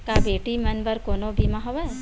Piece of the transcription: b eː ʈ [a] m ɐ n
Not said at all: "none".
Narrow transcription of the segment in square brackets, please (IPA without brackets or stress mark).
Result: i